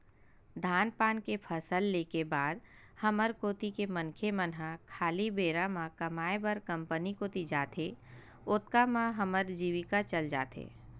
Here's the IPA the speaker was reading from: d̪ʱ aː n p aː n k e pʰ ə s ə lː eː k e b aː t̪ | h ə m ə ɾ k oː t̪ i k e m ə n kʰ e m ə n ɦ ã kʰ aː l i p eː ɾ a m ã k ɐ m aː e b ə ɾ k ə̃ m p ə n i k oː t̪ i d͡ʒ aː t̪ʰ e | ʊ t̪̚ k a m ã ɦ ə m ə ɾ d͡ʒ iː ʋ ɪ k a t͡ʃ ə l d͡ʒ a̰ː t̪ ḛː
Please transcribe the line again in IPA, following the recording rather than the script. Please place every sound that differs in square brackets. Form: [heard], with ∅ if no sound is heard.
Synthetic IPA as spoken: d̪ʱ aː n p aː n k e pʰ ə s ə lː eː k e b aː [d̪] | h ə m ə ɾ k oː t̪ i k e m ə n kʰ e m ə n ɦ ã kʰ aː l i [b] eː ɾ a m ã k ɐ m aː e b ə ɾ k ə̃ m p ə n i k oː t̪ i d͡ʒ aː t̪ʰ e | ʊ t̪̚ k a m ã ɦ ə m ə ɾ d͡ʒ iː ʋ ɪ k a t͡ʃ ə l d͡ʒ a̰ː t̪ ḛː